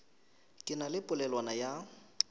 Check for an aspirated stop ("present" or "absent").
absent